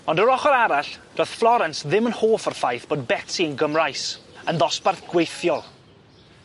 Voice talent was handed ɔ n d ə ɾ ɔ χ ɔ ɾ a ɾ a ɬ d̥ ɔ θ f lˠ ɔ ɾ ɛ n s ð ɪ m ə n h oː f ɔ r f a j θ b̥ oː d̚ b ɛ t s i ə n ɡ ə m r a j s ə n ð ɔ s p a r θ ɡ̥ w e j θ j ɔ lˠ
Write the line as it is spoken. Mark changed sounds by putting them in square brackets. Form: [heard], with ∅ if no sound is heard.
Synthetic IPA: ɔ n d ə ɾ ɔ χ ɔ ɾ a ɾ a ɬ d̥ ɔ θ f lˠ ɔ ɾ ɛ n s ð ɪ m ə n h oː f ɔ r f a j θ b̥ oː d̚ b ɛ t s i ə n ɡ ə m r a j s ə n ð ɔ s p a r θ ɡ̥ w e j θ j ɔ lˠ